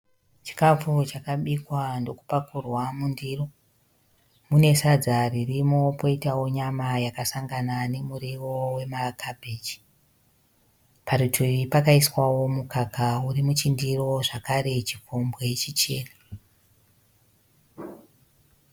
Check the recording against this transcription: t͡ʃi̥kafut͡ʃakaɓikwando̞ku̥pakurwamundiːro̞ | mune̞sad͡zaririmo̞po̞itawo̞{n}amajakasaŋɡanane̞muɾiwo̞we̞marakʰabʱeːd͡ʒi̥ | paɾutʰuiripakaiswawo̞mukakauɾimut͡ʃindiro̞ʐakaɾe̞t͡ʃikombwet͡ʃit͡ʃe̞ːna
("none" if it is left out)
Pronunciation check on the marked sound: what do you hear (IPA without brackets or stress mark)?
ɲ